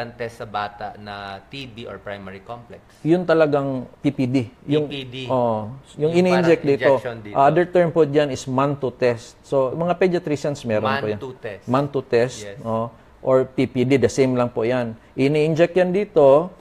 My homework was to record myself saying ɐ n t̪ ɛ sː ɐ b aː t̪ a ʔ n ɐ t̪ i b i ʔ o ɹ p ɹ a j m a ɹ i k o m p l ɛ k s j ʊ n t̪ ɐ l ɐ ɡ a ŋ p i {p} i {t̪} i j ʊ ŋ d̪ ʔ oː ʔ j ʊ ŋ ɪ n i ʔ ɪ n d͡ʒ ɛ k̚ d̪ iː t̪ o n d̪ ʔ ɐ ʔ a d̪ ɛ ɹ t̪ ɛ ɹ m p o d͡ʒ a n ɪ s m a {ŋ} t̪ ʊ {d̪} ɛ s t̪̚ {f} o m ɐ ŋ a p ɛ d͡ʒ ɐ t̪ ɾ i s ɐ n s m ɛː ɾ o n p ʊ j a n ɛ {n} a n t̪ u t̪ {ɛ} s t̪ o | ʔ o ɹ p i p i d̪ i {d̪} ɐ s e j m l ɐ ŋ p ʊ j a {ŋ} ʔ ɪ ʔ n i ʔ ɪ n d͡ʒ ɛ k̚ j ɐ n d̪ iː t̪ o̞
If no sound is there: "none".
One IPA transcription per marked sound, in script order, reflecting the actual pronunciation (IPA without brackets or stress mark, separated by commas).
p, d̪, n, t̪, s, m, ɛ, d̪, n